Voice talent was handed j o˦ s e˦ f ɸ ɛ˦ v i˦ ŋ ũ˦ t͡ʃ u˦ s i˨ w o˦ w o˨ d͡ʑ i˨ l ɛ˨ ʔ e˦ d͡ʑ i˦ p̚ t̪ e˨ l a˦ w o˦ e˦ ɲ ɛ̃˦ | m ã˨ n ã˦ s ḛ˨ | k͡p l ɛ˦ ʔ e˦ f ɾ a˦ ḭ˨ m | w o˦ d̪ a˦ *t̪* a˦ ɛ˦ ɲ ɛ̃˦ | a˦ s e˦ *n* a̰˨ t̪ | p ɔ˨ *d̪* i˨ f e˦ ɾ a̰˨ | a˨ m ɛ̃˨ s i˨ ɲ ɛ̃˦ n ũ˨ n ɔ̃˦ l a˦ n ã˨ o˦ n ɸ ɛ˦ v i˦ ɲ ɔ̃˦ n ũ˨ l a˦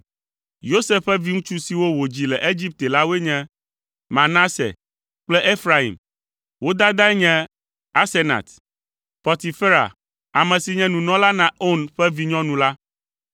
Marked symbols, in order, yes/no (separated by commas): no, yes, no